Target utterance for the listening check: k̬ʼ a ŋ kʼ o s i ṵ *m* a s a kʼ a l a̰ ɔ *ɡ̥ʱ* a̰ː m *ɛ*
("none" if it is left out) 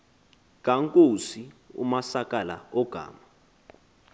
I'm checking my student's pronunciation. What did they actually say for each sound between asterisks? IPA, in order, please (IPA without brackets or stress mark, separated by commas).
m, ɡ̥ʱ, a